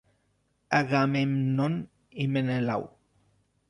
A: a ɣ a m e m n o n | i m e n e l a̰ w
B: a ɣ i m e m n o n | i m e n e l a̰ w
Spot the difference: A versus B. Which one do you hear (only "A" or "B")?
A